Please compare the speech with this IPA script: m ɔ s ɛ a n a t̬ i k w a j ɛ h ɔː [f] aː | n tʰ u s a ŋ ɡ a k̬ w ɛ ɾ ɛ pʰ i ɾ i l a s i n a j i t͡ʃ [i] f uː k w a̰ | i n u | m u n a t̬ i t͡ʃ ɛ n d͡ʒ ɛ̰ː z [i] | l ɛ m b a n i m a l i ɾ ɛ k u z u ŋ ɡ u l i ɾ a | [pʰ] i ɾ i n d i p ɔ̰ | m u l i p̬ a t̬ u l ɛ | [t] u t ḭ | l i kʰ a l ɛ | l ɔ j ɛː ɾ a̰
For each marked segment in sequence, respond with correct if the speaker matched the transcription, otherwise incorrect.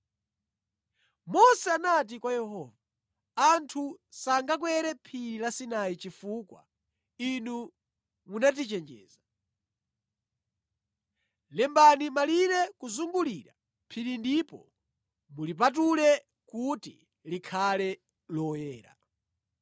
incorrect, correct, incorrect, correct, incorrect

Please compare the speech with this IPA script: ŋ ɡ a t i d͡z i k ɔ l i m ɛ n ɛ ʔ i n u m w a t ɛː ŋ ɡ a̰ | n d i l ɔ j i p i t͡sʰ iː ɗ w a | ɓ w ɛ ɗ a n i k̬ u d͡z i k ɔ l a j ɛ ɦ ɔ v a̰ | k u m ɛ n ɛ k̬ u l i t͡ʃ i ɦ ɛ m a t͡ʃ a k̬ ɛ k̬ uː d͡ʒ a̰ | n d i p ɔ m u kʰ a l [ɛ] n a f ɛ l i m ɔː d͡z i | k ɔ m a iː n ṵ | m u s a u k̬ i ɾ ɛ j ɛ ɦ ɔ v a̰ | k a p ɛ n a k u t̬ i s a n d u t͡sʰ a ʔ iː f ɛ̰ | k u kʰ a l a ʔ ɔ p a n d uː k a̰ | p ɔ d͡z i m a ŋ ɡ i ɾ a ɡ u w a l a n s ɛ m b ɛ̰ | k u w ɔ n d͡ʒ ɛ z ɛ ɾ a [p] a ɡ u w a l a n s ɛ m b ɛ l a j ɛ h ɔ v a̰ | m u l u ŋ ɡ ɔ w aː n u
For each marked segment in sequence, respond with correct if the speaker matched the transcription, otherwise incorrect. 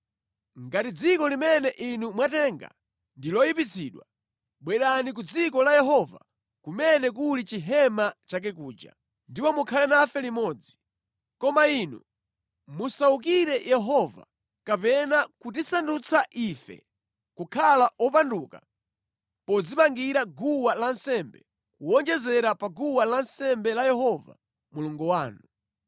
correct, correct

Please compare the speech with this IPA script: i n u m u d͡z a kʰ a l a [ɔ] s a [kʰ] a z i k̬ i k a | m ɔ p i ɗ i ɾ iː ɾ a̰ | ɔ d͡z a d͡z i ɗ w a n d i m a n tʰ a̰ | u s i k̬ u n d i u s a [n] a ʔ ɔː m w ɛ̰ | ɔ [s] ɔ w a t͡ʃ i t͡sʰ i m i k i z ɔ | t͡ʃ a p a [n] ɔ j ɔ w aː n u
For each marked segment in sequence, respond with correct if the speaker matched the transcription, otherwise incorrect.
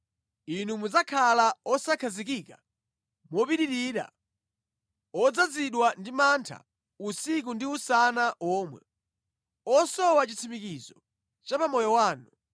correct, correct, correct, correct, incorrect

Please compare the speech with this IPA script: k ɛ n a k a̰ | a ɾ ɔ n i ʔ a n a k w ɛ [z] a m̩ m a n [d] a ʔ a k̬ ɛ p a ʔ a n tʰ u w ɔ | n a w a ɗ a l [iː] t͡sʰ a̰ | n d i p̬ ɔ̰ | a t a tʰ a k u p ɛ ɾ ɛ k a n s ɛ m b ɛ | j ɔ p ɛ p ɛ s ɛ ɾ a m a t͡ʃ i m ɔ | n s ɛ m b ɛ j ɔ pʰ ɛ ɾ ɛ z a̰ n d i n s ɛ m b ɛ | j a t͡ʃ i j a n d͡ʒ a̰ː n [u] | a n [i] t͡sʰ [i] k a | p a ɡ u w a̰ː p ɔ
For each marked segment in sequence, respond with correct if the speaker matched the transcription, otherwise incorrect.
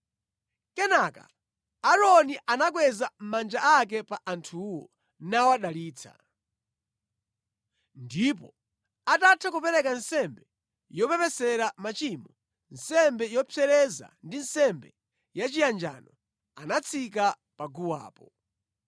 correct, incorrect, correct, incorrect, incorrect, correct

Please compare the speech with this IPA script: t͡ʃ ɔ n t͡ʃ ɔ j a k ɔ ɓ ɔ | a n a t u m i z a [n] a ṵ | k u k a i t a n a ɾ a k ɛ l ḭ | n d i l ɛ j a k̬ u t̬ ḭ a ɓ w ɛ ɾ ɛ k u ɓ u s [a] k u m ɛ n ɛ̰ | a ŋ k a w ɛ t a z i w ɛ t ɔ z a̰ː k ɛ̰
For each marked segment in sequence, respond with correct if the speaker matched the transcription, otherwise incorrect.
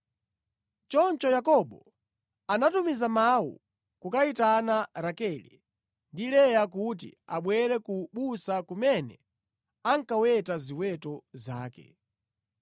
incorrect, correct

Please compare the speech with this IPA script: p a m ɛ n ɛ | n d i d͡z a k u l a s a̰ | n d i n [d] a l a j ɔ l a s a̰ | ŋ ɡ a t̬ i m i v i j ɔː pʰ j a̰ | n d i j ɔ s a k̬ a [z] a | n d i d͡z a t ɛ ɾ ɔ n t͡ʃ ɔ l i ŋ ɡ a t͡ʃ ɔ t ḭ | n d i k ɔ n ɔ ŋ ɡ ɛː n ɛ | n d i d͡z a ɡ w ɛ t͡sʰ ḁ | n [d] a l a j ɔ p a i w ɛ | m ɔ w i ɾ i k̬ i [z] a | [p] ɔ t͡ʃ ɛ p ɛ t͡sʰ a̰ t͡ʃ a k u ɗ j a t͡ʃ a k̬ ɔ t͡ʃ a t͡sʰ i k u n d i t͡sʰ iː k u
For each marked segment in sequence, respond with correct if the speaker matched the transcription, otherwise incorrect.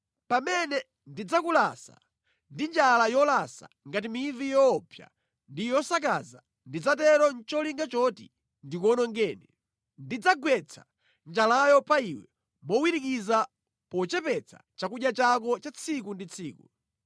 incorrect, correct, incorrect, correct, correct

